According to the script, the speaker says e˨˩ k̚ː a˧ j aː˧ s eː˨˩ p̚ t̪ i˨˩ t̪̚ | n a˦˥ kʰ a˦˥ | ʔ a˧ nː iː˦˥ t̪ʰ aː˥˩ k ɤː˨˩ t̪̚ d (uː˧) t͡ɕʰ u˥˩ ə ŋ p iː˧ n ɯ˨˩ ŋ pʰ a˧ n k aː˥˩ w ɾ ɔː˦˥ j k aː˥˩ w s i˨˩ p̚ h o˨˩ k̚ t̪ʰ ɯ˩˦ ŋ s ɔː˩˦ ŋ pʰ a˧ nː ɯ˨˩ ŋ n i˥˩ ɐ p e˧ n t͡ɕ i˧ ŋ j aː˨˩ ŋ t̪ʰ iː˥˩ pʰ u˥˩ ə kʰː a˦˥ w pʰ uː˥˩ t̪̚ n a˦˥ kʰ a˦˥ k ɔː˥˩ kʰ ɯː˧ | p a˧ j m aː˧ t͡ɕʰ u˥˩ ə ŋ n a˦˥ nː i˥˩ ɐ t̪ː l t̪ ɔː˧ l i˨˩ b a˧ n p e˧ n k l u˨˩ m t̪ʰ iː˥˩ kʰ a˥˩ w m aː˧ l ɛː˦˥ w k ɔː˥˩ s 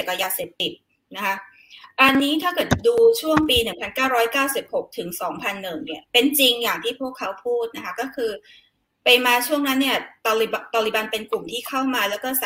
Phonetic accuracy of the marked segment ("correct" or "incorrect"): correct